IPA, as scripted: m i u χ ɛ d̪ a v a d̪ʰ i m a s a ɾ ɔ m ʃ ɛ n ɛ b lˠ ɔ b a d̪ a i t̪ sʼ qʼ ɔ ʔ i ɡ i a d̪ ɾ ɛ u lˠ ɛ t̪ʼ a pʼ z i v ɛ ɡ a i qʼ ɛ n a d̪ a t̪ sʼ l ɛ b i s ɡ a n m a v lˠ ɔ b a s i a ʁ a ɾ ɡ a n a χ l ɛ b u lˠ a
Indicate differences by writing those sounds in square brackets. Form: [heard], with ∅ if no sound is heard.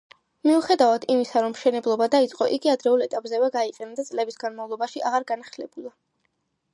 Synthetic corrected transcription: m i u χ ɛ d̪ a v a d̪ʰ i m [i] s a ɾ ɔ m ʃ ɛ n ɛ b lˠ ɔ b a d̪ a i t̪ sʼ qʼ ɔ ʔ i ɡ i a d̪ ɾ ɛ u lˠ ɛ t̪ʼ a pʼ z [ɛ] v ɛ ɡ a i qʼ ɛ n a d̪ a t̪ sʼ l ɛ b i s ɡ a n m a v lˠ ɔ b a [ʃ] i a ʁ a ɾ ɡ a n a χ l ɛ b u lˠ a

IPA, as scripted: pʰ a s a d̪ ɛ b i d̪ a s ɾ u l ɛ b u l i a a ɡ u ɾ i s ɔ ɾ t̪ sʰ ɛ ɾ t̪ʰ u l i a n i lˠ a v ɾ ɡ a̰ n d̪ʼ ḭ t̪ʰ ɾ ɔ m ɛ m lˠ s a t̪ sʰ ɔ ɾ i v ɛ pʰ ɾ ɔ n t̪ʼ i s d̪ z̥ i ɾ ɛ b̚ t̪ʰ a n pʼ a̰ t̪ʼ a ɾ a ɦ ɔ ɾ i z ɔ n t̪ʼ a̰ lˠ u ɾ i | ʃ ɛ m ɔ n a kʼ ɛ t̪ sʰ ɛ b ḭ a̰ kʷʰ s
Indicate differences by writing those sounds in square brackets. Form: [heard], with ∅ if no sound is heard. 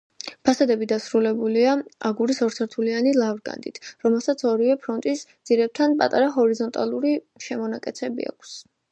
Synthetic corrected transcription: pʰ a s a d̪ ɛ b i d̪ a s ɾ u l ɛ b u l i a a ɡ u ɾ i s ɔ ɾ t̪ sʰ ɛ ɾ t̪ʰ u l i a n i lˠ a v ɾ ɡ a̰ n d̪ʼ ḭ t̪ʰ ɾ ɔ m ɛ [∅] lˠ s a t̪ sʰ ɔ ɾ i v ɛ pʰ ɾ ɔ n t̪ʼ i s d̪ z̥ i ɾ ɛ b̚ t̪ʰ a n pʼ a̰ t̪ʼ a ɾ a ɦ ɔ ɾ i z ɔ n t̪ʼ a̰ lˠ u ɾ i | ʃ ɛ m ɔ n a kʼ ɛ t̪ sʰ ɛ b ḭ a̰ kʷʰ s

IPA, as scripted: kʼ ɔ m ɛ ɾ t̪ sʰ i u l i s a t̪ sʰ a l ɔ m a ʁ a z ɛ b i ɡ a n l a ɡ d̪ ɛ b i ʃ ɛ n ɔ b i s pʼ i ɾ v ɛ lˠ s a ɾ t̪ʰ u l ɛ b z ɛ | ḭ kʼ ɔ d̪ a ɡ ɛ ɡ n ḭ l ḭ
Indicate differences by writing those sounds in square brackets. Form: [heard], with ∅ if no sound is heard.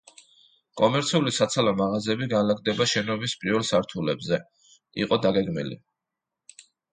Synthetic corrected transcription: kʼ ɔ m ɛ ɾ t̪ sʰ i u l i s a t̪ sʰ a l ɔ m a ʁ a z ɛ b i ɡ a n l a ɡ d̪ ɛ b [a] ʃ ɛ n ɔ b i s pʼ i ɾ v ɛ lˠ s a ɾ t̪ʰ u l ɛ b z ɛ | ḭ [qʼ] ɔ d̪ a ɡ ɛ ɡ [m] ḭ l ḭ

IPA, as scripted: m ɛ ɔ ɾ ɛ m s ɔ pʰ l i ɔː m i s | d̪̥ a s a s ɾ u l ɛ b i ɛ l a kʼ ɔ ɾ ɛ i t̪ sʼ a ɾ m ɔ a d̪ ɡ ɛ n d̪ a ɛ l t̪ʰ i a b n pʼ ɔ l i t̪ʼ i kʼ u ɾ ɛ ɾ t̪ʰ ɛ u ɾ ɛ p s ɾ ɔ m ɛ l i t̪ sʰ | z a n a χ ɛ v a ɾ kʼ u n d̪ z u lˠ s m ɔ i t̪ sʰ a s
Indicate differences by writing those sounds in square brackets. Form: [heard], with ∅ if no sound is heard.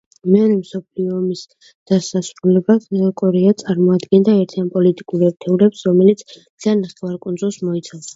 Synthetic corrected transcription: m ɛ ɔ ɾ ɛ m s ɔ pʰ l i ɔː m i s | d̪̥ a s a s ɾ u l ɛ b [a] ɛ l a kʼ ɔ ɾ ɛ [a] t̪ sʼ a ɾ m ɔ a d̪ ɡ ɛ n d̪ a ɛ [ɾ] t̪ʰ i a [∅] n pʼ ɔ l i t̪ʼ i kʼ u ɾ ɛ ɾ t̪ʰ ɛ u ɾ ɛ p s ɾ ɔ m ɛ l i t̪ sʰ | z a n a χ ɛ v a ɾ kʼ u n d̪ z u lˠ s m ɔ i t̪ sʰ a s

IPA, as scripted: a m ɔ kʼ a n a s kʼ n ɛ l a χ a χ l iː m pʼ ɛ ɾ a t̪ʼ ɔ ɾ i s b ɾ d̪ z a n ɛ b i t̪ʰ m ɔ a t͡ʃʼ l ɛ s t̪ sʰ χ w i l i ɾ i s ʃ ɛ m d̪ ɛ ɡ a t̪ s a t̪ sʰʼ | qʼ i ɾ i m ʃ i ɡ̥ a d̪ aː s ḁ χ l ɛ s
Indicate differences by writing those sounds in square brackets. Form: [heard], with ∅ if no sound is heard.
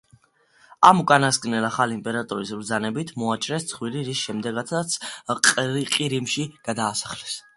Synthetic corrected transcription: a m [u] kʼ a n a s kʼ n ɛ l a χ a [∅] l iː m pʼ ɛ ɾ a t̪ʼ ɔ ɾ i s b ɾ d̪ z a n ɛ b i t̪ʰ m ɔ a t͡ʃʼ [ɾ] ɛ s t̪ sʰ χ w i l i ɾ i s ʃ ɛ m d̪ ɛ ɡ a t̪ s a t̪ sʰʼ | qʼ i ɾ i m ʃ i ɡ̥ a d̪ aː s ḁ χ l ɛ s

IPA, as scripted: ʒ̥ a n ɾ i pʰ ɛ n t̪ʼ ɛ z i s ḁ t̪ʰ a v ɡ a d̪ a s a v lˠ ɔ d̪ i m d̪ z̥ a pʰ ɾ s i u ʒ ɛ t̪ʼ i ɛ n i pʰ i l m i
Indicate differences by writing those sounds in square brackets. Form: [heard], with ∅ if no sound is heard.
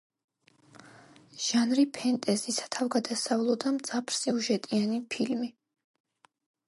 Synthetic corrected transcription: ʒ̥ a n ɾ i pʰ ɛ n t̪ʼ ɛ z i s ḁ t̪ʰ a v ɡ a d̪ a s a v lˠ ɔ d̪ [a] m d̪ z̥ a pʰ ɾ s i u ʒ ɛ t̪ʼ i [a] n i pʰ i l m i

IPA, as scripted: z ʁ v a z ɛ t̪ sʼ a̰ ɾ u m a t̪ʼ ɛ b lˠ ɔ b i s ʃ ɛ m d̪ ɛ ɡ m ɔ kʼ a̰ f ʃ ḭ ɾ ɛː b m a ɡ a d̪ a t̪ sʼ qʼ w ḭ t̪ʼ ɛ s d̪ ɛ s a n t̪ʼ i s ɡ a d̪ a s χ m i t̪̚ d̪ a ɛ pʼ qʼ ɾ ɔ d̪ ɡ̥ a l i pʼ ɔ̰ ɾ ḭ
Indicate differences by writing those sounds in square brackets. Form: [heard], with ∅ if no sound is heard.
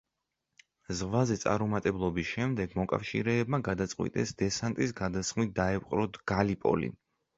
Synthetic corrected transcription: z ʁ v a z ɛ t̪ sʼ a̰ ɾ u m a t̪ʼ ɛ b lˠ ɔ b i s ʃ ɛ m d̪ ɛ ɡ m ɔ kʼ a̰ f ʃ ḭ ɾ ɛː b m a ɡ a d̪ a t̪ sʼ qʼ w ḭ t̪ʼ ɛ s d̪ ɛ s a n t̪ʼ i s ɡ a d̪ a s χ m i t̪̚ d̪ a ɛ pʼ qʼ ɾ ɔ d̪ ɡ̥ a l i pʼ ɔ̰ [l] ḭ

